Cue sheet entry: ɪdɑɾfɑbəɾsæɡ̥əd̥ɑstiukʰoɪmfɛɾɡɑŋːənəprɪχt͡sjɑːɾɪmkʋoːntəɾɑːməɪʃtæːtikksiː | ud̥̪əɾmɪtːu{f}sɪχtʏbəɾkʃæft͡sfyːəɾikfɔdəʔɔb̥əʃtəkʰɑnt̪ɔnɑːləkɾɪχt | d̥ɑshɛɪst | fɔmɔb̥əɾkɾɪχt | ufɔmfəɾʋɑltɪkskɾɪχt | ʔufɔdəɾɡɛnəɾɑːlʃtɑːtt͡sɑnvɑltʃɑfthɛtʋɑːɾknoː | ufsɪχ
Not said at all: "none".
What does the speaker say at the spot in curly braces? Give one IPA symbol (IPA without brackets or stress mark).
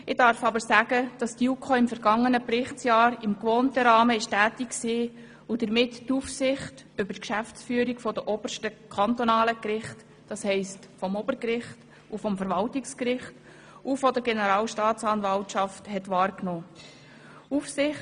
f